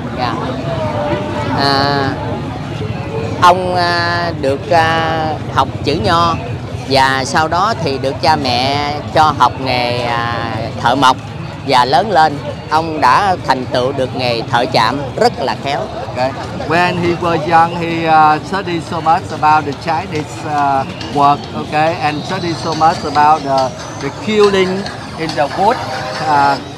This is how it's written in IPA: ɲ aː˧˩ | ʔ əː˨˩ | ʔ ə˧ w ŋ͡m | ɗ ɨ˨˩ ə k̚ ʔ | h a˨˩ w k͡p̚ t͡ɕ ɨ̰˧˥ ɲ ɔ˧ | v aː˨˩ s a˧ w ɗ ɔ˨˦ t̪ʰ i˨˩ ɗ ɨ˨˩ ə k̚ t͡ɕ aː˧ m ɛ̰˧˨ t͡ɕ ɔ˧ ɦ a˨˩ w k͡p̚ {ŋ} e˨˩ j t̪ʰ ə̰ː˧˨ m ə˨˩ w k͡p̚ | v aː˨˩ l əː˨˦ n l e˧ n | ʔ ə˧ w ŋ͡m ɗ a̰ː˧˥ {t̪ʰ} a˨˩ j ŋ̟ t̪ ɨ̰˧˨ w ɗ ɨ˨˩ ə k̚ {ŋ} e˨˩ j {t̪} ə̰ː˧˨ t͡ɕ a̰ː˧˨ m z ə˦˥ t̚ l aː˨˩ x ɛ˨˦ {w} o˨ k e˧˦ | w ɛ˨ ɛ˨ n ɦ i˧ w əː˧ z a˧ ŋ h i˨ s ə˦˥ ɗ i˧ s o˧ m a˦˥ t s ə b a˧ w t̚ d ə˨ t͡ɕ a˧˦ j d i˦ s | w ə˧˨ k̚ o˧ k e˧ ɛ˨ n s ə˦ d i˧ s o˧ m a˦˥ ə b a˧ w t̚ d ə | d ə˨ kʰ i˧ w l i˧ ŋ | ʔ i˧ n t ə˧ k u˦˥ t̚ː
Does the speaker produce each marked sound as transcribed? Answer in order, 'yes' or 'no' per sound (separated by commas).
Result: yes, yes, yes, no, yes